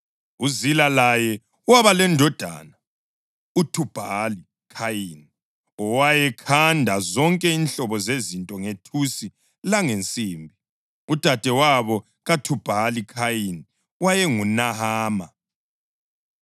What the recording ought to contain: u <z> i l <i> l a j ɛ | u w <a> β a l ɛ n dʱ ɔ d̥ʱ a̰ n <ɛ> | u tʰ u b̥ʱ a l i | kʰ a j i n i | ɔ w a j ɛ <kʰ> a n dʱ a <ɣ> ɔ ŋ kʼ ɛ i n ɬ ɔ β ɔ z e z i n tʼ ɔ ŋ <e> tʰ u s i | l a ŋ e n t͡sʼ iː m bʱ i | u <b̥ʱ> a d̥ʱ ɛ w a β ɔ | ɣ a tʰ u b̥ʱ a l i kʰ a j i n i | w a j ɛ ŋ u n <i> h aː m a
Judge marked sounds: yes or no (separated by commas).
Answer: yes, no, yes, no, yes, no, yes, no, no